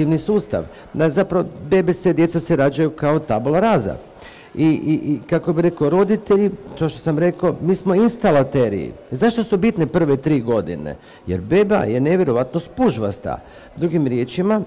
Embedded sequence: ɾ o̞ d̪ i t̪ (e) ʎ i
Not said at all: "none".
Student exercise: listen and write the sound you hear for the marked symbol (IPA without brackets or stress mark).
e